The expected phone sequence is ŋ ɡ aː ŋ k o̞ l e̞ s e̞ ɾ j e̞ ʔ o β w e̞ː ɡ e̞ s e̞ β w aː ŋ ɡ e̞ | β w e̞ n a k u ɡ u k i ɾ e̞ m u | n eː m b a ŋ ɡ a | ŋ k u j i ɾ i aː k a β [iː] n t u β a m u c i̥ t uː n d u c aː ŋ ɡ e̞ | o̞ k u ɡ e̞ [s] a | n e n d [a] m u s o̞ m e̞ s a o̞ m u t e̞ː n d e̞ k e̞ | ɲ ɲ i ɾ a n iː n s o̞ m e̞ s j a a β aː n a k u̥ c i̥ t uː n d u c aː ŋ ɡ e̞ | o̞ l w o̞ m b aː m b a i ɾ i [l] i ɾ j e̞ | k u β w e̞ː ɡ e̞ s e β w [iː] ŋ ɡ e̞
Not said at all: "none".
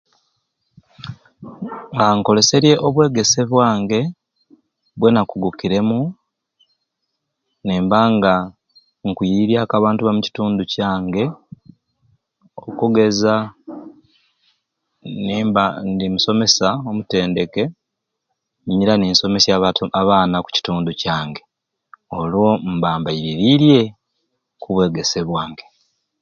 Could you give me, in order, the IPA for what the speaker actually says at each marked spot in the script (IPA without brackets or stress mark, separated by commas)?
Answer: aː, z, i, ɾ, aː